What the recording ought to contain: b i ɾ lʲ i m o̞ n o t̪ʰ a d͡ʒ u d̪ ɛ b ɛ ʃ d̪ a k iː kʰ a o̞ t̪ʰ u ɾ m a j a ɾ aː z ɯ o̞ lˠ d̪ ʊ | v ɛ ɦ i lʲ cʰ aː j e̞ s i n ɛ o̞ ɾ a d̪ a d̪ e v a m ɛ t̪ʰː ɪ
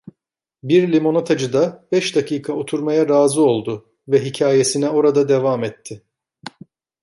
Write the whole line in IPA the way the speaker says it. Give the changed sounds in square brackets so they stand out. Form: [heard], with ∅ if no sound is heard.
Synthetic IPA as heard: b i ɾ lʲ i m o̞ n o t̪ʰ a d͡ʒ [ɯ] d̪ [a] b ɛ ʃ d̪ a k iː kʰ a o̞ t̪ʰ u ɾ m a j a ɾ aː z ɯ o̞ lˠ d̪ ʊ | v ɛ ɦ i [∅] cʰ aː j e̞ s i n ɛ o̞ ɾ a d̪ a d̪ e v a m ɛ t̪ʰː ɪ